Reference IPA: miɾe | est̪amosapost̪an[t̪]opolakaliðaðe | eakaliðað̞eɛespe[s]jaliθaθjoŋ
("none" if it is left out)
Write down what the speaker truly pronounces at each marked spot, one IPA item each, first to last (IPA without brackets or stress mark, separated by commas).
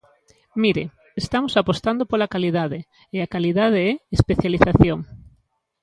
d̪, θ